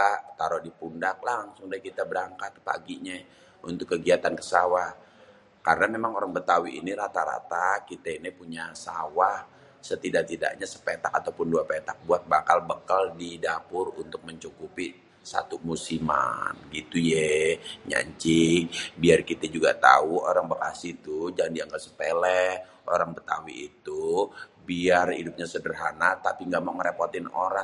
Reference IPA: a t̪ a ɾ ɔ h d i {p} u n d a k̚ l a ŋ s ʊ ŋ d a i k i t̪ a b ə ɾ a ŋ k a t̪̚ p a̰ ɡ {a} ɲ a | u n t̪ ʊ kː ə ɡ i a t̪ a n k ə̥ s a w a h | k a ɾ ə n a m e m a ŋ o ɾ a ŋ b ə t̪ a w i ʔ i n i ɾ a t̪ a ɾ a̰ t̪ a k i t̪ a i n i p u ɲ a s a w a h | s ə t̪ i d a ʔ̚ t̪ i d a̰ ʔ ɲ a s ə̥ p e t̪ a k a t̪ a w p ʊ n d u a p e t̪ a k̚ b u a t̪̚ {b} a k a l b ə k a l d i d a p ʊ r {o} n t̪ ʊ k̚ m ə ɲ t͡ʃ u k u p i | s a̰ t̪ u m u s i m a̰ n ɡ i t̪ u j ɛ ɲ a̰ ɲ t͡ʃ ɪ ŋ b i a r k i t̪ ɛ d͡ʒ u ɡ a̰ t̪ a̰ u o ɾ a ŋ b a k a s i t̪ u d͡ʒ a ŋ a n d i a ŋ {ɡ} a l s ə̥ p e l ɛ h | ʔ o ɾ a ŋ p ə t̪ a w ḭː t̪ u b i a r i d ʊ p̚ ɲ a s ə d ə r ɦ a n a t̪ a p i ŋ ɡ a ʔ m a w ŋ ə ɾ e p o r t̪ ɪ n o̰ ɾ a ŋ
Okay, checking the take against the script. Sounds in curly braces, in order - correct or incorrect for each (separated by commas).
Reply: correct, incorrect, correct, incorrect, correct